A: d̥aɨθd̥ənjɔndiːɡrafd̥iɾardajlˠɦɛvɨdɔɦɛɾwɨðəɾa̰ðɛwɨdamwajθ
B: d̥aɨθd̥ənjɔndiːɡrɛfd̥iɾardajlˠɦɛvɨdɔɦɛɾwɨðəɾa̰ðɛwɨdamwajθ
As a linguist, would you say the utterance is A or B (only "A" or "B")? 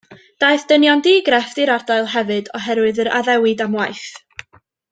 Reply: B